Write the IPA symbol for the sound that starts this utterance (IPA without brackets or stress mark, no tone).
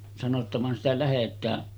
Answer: s